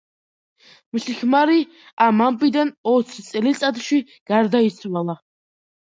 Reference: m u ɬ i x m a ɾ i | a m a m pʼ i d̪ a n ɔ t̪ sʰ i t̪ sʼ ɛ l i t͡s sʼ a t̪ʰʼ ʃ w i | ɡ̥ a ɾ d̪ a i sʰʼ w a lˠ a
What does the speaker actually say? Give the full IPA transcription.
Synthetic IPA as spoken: m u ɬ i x m a ɾ i | a m a m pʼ i d̪ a n ɔ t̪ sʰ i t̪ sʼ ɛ l i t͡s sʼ a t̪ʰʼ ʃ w i | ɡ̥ a ɾ d̪ a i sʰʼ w a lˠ a